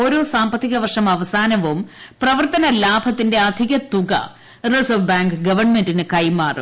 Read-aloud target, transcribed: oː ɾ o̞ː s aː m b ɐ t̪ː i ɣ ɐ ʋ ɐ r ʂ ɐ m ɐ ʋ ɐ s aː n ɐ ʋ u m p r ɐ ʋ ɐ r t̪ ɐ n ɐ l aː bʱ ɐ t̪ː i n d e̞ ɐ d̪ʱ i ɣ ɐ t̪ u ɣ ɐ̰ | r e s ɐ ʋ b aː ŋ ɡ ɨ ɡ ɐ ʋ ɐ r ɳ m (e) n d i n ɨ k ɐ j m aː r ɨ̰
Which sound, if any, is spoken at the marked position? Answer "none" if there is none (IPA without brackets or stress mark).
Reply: e